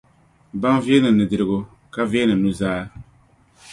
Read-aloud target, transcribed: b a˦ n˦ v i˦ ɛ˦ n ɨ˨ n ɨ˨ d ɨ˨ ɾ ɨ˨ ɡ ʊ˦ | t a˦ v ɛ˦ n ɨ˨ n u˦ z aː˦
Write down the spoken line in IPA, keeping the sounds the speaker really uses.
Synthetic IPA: b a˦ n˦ v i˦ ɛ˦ n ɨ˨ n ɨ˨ d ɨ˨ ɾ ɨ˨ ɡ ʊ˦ | k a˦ v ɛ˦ n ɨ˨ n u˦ z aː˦

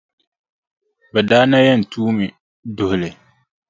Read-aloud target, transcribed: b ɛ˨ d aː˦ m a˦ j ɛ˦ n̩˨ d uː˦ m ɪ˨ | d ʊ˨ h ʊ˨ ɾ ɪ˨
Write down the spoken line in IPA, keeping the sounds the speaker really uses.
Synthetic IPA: b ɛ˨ d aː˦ n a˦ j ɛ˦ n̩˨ t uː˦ m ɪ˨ | d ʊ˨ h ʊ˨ l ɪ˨

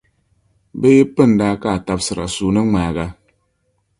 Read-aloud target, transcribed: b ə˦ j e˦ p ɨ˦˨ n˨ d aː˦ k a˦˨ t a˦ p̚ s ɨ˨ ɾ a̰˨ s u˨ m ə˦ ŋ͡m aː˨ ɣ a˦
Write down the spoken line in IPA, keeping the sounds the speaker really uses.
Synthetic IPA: b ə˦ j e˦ p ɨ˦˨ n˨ d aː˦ k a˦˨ t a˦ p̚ s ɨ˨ ɾ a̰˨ s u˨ n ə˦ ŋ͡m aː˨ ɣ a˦

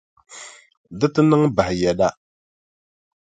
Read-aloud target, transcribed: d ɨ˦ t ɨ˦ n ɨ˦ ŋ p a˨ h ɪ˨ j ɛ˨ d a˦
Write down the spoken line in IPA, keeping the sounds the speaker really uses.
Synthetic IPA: d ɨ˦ t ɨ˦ n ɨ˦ ŋ b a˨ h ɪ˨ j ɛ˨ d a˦

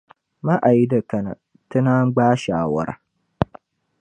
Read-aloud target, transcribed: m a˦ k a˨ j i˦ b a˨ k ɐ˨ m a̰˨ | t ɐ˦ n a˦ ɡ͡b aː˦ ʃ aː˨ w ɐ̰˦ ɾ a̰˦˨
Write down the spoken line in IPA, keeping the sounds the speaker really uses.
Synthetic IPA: m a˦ ʔ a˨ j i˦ d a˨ k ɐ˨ n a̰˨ | t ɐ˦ n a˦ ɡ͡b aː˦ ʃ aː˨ w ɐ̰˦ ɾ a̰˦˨

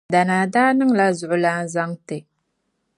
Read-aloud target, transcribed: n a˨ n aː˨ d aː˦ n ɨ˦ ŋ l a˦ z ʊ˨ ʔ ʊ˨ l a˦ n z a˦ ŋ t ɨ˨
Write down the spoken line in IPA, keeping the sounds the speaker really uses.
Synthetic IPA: d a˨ n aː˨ d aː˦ n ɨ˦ ŋ l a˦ z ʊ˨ ʔ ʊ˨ l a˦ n z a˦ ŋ t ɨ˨

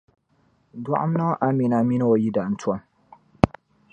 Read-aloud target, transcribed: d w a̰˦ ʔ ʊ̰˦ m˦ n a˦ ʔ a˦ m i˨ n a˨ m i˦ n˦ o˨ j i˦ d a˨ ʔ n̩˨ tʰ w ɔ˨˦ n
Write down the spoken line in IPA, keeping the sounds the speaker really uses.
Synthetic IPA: d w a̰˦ ʔ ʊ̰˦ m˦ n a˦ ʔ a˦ m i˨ n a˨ m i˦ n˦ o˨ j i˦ d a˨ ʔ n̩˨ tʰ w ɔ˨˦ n

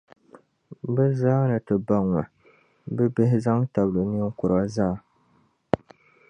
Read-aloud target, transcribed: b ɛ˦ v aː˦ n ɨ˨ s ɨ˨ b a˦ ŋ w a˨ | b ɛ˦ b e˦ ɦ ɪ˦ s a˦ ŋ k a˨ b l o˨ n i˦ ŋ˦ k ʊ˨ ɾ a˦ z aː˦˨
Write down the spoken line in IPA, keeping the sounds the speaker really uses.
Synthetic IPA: b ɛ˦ z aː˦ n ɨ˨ t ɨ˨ b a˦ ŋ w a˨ | b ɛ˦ b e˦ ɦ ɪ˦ z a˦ ŋ t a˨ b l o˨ n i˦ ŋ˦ k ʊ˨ ɾ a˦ z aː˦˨

